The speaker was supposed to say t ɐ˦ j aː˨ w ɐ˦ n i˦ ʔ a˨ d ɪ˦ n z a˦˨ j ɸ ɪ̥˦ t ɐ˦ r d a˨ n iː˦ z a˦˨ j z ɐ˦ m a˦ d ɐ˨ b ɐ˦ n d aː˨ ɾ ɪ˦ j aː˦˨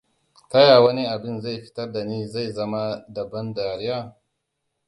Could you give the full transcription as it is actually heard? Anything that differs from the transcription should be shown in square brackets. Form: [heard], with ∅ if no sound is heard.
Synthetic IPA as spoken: t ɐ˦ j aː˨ w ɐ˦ n i˦ ʔ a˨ [b] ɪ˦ n z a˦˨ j ɸ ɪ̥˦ t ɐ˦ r d a˨ n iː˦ z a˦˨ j z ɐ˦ m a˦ d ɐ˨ b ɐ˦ n d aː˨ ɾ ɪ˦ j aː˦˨